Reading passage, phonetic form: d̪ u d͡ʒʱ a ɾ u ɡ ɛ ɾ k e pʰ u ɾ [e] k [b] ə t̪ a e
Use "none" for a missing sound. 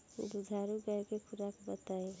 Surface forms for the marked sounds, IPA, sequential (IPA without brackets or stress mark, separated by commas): a, b